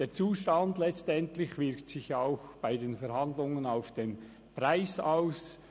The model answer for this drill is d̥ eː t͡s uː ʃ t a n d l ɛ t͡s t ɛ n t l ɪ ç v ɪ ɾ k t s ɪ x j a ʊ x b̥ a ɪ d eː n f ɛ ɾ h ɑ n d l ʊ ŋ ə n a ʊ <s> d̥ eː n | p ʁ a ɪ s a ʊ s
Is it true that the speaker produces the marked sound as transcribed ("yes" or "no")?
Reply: no